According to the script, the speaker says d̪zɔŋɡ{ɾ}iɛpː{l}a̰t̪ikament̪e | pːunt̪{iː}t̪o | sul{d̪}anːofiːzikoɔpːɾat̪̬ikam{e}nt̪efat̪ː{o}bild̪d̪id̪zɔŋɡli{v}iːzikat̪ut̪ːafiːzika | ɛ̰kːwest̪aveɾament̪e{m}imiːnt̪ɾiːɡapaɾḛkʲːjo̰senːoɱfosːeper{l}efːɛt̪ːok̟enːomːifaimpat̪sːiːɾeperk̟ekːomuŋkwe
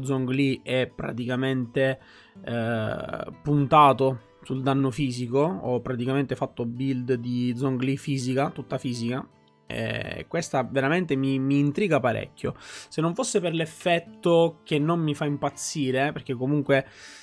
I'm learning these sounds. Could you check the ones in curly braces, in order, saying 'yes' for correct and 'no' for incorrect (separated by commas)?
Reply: no, no, no, yes, yes, yes, no, yes, yes